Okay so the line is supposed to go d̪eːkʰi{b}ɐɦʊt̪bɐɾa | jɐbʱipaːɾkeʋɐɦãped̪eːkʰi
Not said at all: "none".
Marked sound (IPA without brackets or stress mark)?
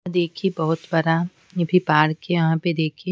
b